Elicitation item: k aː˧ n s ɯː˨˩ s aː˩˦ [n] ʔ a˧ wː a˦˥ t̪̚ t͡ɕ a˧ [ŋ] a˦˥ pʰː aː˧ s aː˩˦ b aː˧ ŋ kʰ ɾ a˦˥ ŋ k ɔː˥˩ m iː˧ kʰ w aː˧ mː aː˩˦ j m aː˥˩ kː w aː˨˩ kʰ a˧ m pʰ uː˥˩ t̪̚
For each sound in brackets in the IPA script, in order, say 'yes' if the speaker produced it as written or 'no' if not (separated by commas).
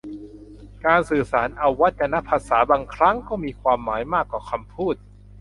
yes, no